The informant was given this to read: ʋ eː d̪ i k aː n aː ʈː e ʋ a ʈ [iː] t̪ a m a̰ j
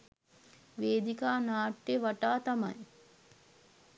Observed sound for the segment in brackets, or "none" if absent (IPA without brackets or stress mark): aː